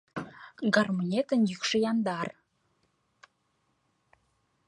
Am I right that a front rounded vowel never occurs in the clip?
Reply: no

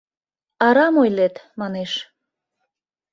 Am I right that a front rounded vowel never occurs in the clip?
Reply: yes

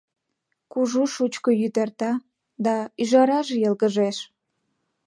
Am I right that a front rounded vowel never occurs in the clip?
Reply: no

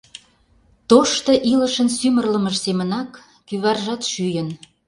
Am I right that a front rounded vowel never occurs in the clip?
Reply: no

